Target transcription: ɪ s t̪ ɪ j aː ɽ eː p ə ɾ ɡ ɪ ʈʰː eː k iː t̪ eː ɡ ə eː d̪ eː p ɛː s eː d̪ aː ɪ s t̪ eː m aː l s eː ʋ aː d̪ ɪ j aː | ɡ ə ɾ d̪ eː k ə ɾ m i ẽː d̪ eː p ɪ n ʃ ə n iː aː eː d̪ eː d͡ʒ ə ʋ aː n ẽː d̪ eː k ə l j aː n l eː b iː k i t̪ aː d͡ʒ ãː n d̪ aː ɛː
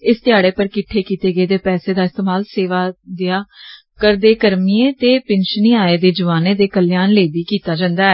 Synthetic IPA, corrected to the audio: ɪ s t̪ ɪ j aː ɽ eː p ə ɾ k ɪ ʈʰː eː k iː t̪ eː ɡ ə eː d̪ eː p ɛː s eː d̪ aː ɪ s t̪ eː m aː l s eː ʋ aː d̪ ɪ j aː | k ə ɾ d̪ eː k ə ɾ m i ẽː t̪ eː p ɪ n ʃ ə n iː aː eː d̪ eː d͡ʒ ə ʋ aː n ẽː d̪ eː k ə l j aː n l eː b iː k iː t̪ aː d͡ʒ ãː n d̪ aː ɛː

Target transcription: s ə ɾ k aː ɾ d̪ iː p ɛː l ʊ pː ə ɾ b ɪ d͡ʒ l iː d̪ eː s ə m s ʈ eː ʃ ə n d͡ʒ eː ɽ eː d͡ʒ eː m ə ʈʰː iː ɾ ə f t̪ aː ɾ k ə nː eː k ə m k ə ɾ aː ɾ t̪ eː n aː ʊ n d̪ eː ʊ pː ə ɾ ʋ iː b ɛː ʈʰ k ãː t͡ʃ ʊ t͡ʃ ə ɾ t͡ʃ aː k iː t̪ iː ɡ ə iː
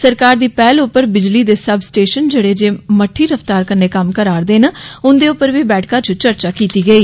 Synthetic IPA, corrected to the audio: s ə ɾ k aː ɾ d̪ iː p ɛː l ʊ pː ə ɾ b ɪ d͡ʒ l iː d̪ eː s ə b s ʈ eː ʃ ə n d͡ʒ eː ɽ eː d͡ʒ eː m ə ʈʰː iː ɾ ə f t̪ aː ɾ k ə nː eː k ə m k ə ɾ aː ɾ d̪ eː n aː ʊ n d̪ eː ʊ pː ə ɾ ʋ iː b ɛː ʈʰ k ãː t͡ʃ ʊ t͡ʃ ə ɾ t͡ʃ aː k iː t̪ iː ɡ ə iː

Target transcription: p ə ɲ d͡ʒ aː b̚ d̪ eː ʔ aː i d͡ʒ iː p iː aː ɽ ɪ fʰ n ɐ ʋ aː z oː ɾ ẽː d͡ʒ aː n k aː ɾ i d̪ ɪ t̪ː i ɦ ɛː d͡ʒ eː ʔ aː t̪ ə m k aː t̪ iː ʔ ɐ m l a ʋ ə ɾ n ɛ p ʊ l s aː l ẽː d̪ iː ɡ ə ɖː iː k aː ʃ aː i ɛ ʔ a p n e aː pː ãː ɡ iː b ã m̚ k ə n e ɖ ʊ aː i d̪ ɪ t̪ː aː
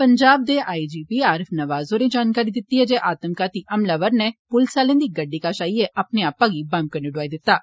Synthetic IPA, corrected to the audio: p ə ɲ d͡ʒ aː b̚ d̪ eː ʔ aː i d͡ʒ iː p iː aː ɾ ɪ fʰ n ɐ ʋ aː z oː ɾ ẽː d͡ʒ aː n k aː ɾ i d̪ ɪ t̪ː i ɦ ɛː d͡ʒ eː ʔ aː t̪ ə m k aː t̪ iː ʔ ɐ m l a ʋ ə ɾ n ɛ p ʊ l s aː l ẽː d̪ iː ɡ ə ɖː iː k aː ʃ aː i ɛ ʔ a p n e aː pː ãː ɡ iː b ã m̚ k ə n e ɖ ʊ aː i d̪ ɪ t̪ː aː

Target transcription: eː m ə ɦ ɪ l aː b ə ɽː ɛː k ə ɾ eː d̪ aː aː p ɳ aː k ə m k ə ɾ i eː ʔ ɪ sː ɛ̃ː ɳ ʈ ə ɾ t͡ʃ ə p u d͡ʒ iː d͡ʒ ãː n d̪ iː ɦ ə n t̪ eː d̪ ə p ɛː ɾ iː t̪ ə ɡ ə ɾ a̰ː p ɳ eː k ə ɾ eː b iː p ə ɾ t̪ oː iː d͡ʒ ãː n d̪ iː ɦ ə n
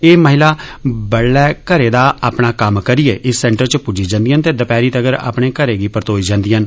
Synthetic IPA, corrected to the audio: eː m ə ɦ ɪ l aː b ə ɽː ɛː k ə ɾ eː d̪ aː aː p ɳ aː k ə m k ə ɾ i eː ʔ ɪ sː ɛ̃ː ɳ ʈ ə ɾ t͡ʃ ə p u d͡ʒ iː d͡ʒ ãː n d̪ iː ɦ ə n t̪ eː d̪ ə p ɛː ɾ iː t̪ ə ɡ ə ɾ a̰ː p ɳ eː k ə ɾ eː ɡ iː p ə ɾ t̪ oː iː d͡ʒ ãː n d̪ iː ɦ ə n

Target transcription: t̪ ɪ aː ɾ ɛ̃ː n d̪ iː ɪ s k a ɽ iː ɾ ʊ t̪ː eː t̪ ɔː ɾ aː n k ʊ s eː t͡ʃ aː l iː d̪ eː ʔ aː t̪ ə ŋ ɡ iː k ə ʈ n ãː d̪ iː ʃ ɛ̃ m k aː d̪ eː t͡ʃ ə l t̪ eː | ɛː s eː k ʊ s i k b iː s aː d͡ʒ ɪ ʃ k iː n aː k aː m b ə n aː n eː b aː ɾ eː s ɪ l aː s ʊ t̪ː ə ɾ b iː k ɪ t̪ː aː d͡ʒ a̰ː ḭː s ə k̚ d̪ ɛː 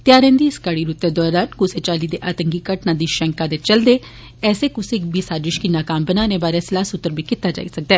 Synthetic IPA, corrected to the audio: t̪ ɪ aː ɾ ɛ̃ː n d̪ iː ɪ s k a ɽ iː ɾ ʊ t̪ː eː d̪ ɔː ɾ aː n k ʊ s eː t͡ʃ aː l iː d̪ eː ʔ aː t̪ ə ŋ ɡ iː k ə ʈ n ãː d̪ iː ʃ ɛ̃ ŋ k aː d̪ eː t͡ʃ ə l d̪ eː | ɛː s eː k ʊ s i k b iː s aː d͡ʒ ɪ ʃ k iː n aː k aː m b ə n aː n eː b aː ɾ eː s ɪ l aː s ʊ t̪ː ə ɾ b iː k ɪ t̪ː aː d͡ʒ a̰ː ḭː s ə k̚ d̪ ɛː

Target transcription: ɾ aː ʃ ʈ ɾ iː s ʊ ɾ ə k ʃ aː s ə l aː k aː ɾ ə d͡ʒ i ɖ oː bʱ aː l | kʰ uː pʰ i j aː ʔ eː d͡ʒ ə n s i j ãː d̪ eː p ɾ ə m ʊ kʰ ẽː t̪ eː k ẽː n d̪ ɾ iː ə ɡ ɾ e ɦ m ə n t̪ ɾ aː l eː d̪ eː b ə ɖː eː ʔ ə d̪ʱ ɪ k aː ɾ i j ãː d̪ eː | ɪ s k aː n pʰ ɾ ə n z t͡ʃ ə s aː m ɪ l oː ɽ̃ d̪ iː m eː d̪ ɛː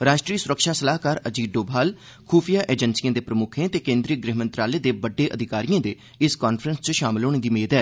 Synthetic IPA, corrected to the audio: ɾ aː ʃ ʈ ɾ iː s ʊ ɾ ə k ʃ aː s ə l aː k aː ɾ ə d͡ʒ iː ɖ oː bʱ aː l | kʰ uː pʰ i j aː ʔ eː d͡ʒ ə n s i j ãː d̪ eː p ɾ ə m ʊ kʰ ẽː t̪ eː k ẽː n d̪ ɾ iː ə ɡ ɾ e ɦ m ə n t̪ ɾ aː l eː d̪ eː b ə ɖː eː ʔ ə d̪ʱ ɪ k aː ɾ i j ãː d̪ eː | ɪ s k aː n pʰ ɾ ə n s t͡ʃ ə ʃ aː m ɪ l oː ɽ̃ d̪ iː m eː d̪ ɛː

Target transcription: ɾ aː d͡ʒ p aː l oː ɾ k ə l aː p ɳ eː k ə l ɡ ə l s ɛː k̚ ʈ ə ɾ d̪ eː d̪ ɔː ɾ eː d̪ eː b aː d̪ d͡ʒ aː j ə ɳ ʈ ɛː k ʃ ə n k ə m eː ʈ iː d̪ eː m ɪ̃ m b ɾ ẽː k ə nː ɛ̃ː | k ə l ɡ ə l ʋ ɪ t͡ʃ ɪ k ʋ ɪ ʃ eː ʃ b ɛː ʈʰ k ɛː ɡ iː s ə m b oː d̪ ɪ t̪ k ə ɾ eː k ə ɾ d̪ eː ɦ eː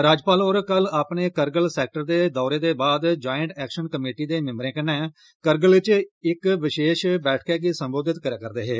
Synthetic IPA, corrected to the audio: ɾ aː d͡ʒ p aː l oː ɾ k ə l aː p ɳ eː k ə ɾ ɡ ə l s ɛː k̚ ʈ ə ɾ d̪ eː d̪ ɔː ɾ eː d̪ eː b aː d̪ d͡ʒ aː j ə ɳ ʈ ɛː k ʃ ə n k ə m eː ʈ iː d̪ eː m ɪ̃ m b ɾ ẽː k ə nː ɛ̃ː | k ə ɾ ɡ ə l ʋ ɪ t͡ʃ ɪ k ʋ ɪ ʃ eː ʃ b ɛː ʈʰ k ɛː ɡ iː s ə m b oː d̪ ɪ t̪ k ə ɾ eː k ə ɾ d̪ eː ɦ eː

